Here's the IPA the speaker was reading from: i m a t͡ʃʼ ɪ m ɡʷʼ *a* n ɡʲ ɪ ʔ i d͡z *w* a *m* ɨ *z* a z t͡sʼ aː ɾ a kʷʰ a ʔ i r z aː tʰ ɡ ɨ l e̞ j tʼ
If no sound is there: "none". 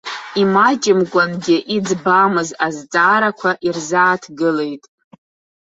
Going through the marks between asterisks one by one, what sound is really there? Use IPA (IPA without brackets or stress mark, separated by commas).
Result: a, b, m, z